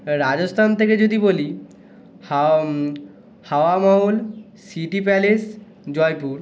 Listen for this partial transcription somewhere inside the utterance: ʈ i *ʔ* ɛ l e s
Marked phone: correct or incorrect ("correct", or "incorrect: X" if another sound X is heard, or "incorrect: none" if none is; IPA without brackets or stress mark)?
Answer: incorrect: p